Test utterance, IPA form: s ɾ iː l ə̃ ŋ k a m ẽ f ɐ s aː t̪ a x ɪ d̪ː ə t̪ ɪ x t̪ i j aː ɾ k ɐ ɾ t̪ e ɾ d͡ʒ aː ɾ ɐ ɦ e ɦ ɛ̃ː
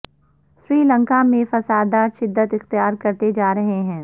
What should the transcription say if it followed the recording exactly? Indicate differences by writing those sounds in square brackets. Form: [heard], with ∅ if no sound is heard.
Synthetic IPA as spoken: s ɾ iː l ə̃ ŋ k a m ẽ f ɐ s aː [d̪] a [ʃ] ɪ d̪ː ə t̪ ɪ x t̪ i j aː ɾ k ɐ ɾ t̪ e [∅] d͡ʒ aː ɾ ɐ ɦ e ɦ ɛ̃ː